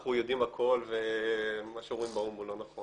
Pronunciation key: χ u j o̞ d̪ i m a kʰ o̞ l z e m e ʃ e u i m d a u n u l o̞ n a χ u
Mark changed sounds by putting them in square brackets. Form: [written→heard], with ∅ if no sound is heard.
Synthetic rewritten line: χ u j o̞ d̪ i m a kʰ o̞ l [z→v] e m [e→a] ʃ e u i m [d→b] a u [n→m] u l o̞ n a χ [u→o]